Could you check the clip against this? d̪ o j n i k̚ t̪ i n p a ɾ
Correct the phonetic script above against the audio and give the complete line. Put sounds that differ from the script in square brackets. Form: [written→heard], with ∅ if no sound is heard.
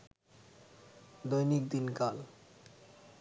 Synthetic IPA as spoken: d̪ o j n i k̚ [t̪→d̪] i n [p→k] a [ɾ→l]